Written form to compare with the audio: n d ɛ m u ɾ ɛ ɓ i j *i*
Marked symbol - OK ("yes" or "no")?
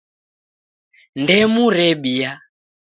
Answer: no